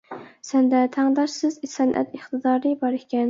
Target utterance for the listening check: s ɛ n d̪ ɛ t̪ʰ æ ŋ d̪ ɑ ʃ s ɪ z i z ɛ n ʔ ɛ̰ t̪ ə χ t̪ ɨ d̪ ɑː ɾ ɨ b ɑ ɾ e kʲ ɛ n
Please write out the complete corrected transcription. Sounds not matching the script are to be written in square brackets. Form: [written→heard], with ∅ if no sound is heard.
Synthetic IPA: s ɛ n d̪ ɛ t̪ʰ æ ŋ d̪ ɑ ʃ s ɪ z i [z→s] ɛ n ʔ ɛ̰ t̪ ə χ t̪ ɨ d̪ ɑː ɾ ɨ b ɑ ɾ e kʲ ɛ n